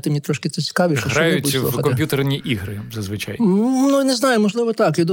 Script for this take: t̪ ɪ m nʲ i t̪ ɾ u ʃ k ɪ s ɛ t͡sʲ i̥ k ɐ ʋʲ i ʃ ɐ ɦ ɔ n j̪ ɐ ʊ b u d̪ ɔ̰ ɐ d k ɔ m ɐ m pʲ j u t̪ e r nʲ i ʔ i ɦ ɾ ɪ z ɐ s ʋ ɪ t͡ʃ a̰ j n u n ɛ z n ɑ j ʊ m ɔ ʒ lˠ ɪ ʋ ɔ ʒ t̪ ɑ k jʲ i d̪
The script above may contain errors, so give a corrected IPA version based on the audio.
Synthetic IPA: t̪ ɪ m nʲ i t̪ ɾ ɔ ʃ k ɪ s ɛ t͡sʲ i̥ k ɑ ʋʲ i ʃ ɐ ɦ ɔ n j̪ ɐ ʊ b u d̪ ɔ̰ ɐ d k ɔ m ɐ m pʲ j u t̪ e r nʲ i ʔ i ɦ ɾ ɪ z ɐ z ʋ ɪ t͡ʃ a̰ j n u n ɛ z n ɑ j ʊ m ɔ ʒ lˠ ɪ ʋ ɔ t̪ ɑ k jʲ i d̪